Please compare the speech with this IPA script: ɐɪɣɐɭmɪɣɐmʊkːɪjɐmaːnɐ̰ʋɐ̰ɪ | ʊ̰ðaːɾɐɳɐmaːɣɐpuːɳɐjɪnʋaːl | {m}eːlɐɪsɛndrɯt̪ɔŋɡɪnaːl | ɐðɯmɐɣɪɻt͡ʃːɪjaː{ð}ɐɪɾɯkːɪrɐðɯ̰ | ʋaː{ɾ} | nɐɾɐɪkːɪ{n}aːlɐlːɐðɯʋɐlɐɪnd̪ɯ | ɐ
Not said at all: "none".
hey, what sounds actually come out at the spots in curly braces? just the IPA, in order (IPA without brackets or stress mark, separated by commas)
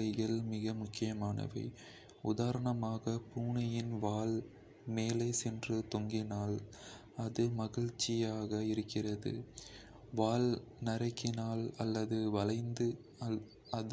m, ɣ, l, n